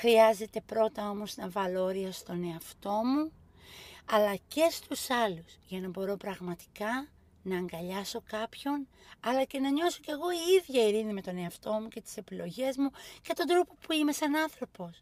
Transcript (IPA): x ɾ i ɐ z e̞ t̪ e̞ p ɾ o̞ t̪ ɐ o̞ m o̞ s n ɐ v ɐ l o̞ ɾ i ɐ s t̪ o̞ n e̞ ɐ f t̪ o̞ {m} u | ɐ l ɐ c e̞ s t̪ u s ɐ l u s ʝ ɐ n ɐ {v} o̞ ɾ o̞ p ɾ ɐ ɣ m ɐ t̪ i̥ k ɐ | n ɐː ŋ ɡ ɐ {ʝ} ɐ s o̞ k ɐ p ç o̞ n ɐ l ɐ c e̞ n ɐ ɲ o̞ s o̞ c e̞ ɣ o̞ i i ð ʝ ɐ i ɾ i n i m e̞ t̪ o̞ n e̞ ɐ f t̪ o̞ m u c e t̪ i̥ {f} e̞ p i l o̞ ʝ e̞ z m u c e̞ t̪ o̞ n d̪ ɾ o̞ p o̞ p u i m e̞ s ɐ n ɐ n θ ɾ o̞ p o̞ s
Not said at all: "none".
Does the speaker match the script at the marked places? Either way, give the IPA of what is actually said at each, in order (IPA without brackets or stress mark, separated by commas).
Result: m, b, ʎ, s